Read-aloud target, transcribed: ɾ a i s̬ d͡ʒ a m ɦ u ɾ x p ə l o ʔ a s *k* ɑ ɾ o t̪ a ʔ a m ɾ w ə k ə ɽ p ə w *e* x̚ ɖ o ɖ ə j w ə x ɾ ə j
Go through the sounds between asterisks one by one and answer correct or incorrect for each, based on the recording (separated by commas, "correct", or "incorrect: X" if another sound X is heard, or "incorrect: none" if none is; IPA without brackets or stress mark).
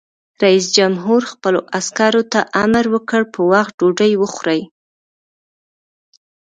correct, incorrect: a